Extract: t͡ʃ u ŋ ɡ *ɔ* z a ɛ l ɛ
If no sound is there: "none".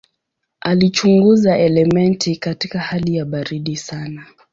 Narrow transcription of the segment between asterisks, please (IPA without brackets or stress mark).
u